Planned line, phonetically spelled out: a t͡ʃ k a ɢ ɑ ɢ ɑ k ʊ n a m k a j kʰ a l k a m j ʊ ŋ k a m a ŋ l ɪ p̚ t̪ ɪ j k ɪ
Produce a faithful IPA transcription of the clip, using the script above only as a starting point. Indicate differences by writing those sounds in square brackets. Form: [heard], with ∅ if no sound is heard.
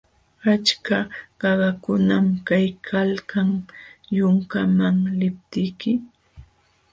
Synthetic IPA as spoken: a t͡ʃ k a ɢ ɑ ɢ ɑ k ʊ n a m k a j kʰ a l k a [ŋ] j ʊ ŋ k a m a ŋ l ɪ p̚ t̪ ɪ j k ɪ